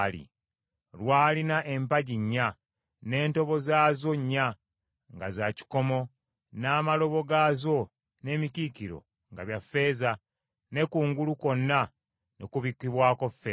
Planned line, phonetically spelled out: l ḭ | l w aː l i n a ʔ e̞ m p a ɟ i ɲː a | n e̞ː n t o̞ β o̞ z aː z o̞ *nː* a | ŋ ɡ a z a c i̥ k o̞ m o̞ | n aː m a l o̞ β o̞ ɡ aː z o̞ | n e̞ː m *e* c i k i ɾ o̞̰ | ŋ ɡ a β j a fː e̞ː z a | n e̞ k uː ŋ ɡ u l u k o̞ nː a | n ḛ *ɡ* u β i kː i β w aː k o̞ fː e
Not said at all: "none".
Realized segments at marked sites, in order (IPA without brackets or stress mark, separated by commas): ɲː, i, k